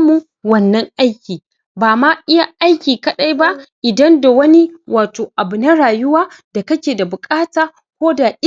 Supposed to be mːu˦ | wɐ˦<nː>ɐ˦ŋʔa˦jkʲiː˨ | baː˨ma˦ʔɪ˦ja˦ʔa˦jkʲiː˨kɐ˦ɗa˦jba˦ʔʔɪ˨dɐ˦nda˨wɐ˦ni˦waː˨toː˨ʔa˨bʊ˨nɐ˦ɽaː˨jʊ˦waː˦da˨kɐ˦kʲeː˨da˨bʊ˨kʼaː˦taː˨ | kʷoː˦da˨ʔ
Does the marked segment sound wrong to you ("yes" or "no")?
no